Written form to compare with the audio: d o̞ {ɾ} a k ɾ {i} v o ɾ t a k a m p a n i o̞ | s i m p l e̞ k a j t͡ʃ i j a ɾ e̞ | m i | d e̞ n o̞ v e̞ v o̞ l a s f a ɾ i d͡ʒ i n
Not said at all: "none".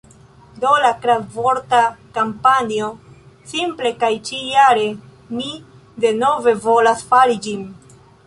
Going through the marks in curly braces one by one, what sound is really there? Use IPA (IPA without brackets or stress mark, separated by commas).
l, a